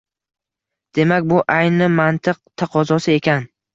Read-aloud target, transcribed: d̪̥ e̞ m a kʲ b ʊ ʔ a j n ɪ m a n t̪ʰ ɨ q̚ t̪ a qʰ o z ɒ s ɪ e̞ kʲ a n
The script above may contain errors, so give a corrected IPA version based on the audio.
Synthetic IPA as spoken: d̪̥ e̞ m a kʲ b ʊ ʔ a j n ɪ m a n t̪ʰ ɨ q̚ t̪ʰ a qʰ ɒ z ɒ s ɪ e̞ kʲ a n